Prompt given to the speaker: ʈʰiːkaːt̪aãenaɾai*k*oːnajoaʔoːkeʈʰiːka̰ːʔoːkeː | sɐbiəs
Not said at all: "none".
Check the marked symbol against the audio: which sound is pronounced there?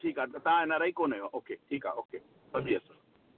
k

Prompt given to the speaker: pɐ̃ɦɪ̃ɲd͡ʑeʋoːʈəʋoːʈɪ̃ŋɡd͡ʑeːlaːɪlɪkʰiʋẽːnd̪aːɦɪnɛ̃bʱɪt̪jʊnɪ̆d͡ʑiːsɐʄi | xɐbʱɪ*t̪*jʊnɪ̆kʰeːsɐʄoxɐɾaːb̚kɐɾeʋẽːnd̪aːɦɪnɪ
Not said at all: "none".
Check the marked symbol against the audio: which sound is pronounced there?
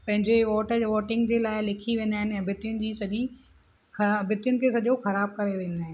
t̪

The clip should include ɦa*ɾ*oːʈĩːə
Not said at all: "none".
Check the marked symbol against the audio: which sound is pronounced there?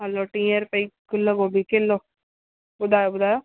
l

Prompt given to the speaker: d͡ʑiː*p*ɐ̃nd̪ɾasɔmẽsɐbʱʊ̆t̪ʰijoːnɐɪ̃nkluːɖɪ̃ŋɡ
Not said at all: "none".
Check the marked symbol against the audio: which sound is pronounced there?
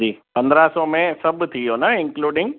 p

